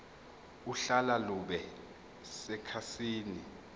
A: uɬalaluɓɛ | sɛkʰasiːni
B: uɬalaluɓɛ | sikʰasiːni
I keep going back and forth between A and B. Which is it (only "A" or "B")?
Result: A